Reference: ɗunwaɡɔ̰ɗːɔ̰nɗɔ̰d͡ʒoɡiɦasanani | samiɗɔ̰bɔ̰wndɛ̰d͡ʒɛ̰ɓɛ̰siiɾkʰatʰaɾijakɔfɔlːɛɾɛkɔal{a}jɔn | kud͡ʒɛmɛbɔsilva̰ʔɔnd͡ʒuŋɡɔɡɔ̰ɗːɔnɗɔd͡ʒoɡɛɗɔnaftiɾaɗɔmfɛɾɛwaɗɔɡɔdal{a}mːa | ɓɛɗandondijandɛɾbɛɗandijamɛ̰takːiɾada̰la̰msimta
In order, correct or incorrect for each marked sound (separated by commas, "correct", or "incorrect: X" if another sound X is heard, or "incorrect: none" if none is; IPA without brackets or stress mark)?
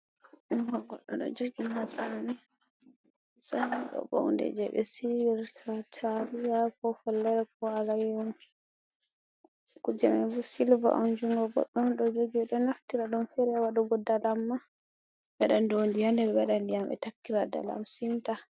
correct, correct